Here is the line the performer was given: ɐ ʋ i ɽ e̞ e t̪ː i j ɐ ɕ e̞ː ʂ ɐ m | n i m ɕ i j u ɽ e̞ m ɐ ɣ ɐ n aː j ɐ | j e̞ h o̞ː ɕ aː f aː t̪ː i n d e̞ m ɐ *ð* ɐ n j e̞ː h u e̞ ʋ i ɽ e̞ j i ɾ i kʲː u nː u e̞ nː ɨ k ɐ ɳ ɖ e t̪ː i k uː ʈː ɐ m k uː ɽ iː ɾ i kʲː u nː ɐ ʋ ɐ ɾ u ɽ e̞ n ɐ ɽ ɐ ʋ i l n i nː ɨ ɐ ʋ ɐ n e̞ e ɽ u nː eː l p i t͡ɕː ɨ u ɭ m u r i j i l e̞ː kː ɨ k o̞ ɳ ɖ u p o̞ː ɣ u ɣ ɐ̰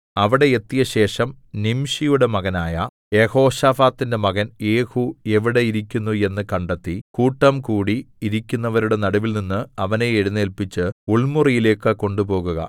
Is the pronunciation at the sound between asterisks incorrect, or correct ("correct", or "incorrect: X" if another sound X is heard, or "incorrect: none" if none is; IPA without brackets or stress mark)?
incorrect: ɣ